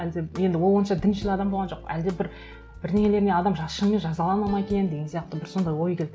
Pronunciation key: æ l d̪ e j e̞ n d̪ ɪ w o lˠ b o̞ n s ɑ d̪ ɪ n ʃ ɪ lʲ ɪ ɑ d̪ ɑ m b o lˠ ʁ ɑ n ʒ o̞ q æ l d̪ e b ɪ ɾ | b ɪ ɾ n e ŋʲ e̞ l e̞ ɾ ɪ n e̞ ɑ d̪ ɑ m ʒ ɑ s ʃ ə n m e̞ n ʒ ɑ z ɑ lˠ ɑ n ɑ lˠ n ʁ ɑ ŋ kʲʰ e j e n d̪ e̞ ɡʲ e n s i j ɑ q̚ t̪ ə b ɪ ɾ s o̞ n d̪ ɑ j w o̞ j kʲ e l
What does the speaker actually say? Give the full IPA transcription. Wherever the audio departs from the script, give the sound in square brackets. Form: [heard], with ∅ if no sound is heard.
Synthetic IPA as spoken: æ l d̪ e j e̞ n d̪ ɪ w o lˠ [w] o̞ n [ʃ] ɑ d̪ ɪ n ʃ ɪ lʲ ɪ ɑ d̪ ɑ m b o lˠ ʁ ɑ n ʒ o̞ q æ l d̪ e b ɪ ɾ | b ɪ ɾ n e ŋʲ e̞ l e̞ ɾ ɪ n e̞ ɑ d̪ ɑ m ʒ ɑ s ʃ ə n m e̞ n ʒ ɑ z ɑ lˠ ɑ n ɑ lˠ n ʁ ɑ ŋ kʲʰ e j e n d̪ e̞ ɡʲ e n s i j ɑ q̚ t̪ ə b ɪ ɾ s o̞ n d̪ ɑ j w o̞ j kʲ e l